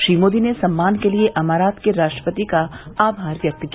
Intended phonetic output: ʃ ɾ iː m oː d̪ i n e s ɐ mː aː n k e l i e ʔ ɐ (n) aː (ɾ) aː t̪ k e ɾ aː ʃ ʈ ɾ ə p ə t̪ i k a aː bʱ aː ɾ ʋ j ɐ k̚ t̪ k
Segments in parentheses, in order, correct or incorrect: incorrect: m, correct

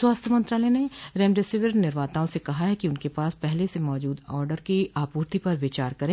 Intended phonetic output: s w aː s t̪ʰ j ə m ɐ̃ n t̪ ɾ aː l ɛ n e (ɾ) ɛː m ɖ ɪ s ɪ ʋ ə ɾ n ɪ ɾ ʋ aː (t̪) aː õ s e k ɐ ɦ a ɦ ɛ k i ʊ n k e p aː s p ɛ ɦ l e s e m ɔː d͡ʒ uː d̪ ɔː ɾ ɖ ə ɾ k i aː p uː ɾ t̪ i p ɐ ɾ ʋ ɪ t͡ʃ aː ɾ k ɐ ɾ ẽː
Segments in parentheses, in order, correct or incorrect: correct, correct

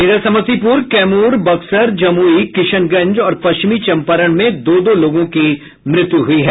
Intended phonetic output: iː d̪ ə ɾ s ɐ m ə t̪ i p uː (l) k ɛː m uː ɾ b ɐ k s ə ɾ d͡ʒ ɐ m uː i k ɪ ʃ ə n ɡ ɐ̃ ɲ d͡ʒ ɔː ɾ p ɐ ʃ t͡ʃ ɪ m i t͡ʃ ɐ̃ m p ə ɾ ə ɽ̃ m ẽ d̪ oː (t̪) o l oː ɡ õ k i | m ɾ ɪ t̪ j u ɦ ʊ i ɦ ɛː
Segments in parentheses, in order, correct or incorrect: incorrect: ɾ, incorrect: d̪

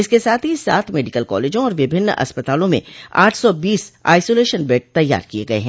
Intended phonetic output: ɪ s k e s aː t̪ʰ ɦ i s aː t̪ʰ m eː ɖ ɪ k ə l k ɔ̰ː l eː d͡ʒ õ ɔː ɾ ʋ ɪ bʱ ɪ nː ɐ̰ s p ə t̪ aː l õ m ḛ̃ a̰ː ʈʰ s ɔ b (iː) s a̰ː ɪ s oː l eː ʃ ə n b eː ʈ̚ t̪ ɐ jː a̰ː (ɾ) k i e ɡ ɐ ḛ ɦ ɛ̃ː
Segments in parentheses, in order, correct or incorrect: correct, correct

